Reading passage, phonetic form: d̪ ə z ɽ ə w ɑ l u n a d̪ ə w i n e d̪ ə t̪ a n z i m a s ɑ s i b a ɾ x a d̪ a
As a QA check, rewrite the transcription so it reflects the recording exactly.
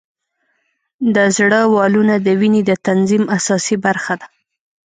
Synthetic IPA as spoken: d̪ ə z ɽ ə w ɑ l u n a d̪ ə w i n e d̪ ə t̪ a n z i m a s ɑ s i b a ɾ x a d̪ a